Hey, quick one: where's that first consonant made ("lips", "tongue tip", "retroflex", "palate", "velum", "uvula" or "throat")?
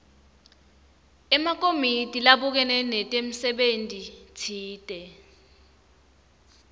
lips